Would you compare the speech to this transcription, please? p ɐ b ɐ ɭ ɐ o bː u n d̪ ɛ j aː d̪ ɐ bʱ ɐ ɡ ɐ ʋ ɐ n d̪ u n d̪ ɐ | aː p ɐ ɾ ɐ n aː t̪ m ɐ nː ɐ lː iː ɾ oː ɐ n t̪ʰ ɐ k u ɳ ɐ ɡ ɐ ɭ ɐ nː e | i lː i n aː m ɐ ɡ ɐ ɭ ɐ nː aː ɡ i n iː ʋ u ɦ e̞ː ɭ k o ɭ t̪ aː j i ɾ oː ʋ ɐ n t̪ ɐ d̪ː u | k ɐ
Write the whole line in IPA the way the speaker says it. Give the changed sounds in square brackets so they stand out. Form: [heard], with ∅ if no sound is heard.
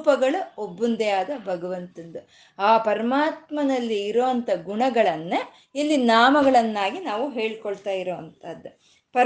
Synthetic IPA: p ɐ [ɡ] ɐ ɭ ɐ o bː u n d̪ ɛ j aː d̪ ɐ bʱ ɐ ɡ ɐ ʋ ɐ n [t̪] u n d̪ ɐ | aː p ɐ ɾ ɐ [m] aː t̪ m ɐ [n] ɐ lː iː ɾ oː ɐ n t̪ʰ ɐ [ɡ] u ɳ ɐ ɡ ɐ ɭ ɐ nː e | i lː i n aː m ɐ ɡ ɐ ɭ ɐ nː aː ɡ i n [aː] ʋ u ɦ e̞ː ɭ k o ɭ t̪ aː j i ɾ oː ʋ ɐ n t̪ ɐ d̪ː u | [p] ɐ